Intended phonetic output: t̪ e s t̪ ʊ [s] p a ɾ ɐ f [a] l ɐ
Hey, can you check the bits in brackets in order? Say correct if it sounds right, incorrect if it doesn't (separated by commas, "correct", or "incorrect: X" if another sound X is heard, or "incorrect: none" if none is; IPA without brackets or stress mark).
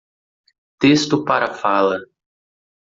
incorrect: none, correct